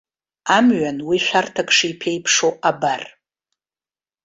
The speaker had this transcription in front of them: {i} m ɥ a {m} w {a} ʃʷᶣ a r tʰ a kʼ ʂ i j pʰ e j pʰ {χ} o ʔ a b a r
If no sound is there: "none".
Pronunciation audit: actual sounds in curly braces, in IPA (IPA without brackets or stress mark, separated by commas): a, n, i, ʂ